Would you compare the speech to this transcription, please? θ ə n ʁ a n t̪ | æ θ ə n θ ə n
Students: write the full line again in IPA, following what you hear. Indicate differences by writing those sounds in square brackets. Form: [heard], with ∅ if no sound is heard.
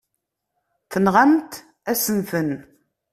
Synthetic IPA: θ ə n ʁ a [m] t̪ | æ [s] ə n θ ə n

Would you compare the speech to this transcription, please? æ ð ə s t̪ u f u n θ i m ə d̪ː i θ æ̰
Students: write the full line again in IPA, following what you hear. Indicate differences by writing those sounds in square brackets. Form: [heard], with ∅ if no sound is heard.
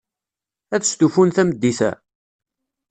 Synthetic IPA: æ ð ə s t̪ u f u n θ [æ] m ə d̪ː i θ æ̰

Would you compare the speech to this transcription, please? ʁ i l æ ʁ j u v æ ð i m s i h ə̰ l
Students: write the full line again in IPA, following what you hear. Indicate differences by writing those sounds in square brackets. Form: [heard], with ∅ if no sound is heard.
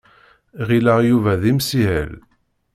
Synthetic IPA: ʁ i l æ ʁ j u v æ ð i m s i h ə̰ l

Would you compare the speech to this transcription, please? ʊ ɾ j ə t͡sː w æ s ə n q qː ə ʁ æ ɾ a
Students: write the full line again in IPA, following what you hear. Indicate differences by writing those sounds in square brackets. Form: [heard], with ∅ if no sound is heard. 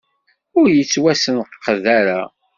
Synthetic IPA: ʊ ɾ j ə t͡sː w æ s ə n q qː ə [ð] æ ɾ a

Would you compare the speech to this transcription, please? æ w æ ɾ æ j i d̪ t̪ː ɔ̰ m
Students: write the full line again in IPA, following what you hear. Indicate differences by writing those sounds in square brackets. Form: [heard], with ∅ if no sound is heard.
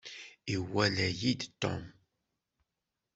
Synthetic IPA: [i] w æ [l] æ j i d̪ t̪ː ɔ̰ m

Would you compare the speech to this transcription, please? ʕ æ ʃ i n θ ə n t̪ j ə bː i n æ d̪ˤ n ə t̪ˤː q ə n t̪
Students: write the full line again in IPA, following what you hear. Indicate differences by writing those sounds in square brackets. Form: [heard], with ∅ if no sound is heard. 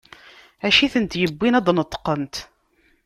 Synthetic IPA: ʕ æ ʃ i [∅] θ ə n t̪ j ə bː i n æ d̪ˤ n ə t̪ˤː q ə n t̪

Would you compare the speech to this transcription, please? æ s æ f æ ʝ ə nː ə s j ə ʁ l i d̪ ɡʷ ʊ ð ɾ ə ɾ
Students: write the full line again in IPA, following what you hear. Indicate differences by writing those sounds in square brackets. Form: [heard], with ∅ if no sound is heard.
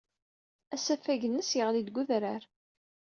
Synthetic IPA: æ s æ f æ ʝ ə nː ə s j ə ʁ l i d̪ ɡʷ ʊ ð ɾ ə ɾ

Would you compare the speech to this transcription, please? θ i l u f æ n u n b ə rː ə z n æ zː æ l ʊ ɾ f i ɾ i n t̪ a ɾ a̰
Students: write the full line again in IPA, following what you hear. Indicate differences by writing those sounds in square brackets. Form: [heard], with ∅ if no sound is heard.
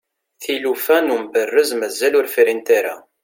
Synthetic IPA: θ i l u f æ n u [m] b ə rː ə z [m] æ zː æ l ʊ ɾ f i ɾ i n t̪ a ɾ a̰

